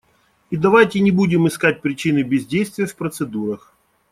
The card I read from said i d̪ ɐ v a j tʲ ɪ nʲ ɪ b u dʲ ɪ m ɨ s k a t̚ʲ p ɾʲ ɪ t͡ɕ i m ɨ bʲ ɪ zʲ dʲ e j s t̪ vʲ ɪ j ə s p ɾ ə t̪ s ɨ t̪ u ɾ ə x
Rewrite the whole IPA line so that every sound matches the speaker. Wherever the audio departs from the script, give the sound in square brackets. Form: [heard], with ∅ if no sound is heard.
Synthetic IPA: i d̪ ɐ v a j tʲ ɪ nʲ ɪ b u dʲ ɪ m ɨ s k a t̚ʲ p ɾʲ ɪ t͡ɕ i [n] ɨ bʲ ɪ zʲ dʲ e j s t̪ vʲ ɪ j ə [f] p ɾ ə t̪ s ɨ [d̪] u ɾ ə x